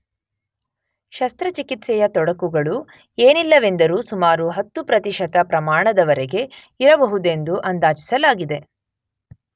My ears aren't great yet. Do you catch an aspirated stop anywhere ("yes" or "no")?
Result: no